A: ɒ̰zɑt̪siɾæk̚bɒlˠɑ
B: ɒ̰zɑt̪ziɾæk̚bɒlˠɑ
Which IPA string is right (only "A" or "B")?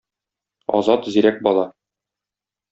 B